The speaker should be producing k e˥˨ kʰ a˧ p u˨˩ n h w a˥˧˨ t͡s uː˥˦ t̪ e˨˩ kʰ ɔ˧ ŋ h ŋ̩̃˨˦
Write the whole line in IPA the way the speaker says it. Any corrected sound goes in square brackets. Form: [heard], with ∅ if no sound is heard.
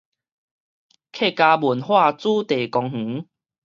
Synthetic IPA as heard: [kʰ] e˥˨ [k] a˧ [b] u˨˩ n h w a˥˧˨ t͡s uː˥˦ t̪ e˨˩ [k] ɔ˧ ŋ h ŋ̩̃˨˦

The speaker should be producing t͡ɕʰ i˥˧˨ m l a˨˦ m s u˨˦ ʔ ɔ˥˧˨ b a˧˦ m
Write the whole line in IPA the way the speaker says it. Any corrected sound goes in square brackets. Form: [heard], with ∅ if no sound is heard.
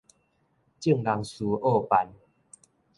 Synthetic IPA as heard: [t͡ɕ] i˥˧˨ [ŋ] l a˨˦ [ŋ] s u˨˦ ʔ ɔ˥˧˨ [p] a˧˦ [n]

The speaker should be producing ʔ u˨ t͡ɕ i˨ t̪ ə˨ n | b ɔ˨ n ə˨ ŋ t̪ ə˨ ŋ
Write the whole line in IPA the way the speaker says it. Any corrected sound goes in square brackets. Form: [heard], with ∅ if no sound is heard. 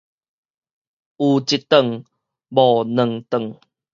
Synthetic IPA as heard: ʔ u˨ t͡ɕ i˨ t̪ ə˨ [ŋ] | b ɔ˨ n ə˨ ŋ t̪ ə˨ ŋ

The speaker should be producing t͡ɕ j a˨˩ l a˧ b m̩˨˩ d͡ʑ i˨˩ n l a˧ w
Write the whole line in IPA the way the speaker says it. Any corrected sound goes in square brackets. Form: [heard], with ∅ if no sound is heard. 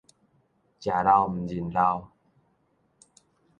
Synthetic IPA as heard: t͡ɕ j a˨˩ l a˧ [w] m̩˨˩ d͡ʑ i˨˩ n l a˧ w

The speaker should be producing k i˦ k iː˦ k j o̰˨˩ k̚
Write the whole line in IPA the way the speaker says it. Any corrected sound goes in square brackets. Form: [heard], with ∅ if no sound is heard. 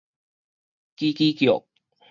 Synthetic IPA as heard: k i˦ k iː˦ k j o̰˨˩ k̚

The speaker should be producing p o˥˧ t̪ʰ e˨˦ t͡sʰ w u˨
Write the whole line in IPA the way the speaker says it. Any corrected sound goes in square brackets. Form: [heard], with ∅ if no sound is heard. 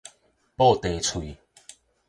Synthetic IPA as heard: p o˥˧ [t̪] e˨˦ t͡sʰ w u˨

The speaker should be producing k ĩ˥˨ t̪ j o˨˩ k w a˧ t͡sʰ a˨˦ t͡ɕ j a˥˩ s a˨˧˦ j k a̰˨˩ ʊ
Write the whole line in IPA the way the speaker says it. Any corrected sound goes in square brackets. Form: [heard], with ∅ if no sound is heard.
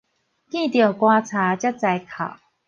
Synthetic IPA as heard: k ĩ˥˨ t̪ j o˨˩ k w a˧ t͡sʰ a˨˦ t͡ɕ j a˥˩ [t͡s] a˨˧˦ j [kʰ] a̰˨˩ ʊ

